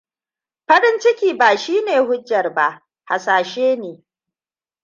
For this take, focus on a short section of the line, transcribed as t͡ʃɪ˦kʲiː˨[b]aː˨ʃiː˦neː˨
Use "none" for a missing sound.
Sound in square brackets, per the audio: b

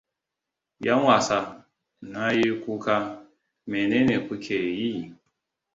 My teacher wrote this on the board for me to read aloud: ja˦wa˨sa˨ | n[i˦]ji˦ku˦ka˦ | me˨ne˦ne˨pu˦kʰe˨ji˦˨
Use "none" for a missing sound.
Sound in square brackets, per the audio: a˦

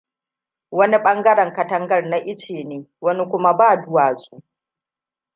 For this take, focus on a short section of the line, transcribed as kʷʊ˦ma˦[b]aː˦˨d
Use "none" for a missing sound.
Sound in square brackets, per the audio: b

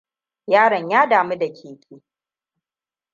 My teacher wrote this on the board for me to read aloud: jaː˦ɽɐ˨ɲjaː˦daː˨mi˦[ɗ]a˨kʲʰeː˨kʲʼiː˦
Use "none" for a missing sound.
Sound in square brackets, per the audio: d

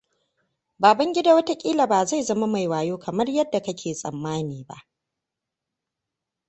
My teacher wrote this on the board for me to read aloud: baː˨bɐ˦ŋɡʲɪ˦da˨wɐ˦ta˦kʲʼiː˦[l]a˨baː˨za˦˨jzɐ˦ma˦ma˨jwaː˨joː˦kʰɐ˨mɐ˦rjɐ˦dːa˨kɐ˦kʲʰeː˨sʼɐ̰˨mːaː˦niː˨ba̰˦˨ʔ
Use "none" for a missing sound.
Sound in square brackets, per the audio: l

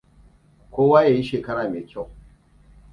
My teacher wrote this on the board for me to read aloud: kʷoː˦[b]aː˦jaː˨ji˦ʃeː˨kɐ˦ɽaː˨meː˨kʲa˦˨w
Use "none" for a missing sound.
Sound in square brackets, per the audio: w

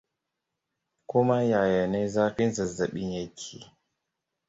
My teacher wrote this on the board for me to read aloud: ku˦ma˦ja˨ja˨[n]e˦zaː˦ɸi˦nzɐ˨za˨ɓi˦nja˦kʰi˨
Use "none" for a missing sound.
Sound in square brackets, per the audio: n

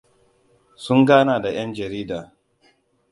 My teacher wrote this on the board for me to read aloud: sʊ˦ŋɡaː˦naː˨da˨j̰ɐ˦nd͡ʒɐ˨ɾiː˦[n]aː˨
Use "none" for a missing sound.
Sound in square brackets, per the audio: d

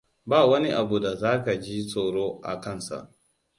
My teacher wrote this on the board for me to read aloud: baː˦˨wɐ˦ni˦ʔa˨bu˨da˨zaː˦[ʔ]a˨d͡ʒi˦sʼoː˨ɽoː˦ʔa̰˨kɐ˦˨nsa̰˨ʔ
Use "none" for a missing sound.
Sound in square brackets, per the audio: k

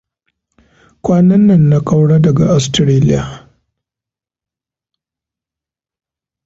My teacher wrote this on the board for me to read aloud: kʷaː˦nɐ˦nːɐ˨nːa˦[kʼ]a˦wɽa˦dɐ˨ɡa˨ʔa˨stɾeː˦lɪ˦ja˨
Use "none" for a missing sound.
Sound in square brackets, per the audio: kʼ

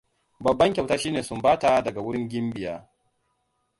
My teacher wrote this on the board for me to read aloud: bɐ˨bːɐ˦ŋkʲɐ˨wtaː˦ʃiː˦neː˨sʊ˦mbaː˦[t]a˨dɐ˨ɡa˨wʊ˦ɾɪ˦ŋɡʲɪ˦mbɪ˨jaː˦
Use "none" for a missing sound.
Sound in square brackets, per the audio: t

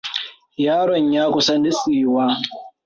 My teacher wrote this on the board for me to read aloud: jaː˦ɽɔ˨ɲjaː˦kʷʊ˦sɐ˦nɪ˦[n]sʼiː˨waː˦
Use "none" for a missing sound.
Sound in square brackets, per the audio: none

